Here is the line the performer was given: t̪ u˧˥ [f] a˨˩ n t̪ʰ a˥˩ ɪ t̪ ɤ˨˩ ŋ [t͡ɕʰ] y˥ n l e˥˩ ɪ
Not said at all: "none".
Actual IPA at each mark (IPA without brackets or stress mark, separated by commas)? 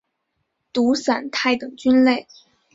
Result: s, t͡ɕ